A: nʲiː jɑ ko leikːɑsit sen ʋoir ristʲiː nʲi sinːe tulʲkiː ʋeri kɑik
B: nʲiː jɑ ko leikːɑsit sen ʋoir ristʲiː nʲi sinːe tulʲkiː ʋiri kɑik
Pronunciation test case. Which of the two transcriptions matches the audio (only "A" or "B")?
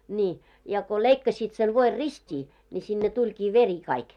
A